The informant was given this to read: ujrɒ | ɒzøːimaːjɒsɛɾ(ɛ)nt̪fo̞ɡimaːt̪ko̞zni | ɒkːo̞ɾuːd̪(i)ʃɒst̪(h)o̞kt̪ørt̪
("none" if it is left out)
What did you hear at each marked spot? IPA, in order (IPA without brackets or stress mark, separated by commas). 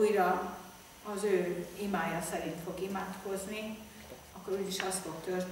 i, i, f